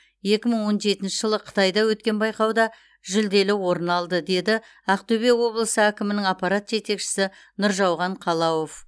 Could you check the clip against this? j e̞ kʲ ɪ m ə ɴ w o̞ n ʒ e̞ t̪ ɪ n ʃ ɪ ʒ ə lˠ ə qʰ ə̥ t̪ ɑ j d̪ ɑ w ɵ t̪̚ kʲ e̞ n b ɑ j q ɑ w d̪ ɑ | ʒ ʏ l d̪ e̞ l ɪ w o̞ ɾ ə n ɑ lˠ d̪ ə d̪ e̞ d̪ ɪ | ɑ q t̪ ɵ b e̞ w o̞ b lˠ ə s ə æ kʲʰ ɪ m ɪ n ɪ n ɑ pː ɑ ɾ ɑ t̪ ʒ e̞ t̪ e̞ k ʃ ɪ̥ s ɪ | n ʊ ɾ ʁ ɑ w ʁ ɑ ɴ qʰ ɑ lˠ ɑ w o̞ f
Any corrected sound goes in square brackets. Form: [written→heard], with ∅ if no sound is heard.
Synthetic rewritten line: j e̞ kʲ ɪ m ə ɴ w o̞ n ʒ e̞ t̪ ɪ n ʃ ɪ ʒ ə lˠ ə qʰ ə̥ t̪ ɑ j d̪ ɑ w ɵ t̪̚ kʲ e̞ n b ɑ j q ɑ w d̪ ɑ | ʒ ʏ l d̪ e̞ l ɪ w o̞ ɾ ə n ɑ lˠ d̪ ə d̪ e̞ d̪ ɪ | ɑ q t̪ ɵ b e̞ w o̞ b lˠ ə s ə æ [kʲʰ→kʲ] ɪ m ɪ n ɪ [n→ŋ] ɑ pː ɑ ɾ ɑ t̪ ʒ e̞ t̪ e̞ k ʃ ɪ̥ s ɪ | n ʊ ɾ [ʁ→ʒ] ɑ w ʁ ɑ ɴ qʰ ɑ lˠ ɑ w o̞ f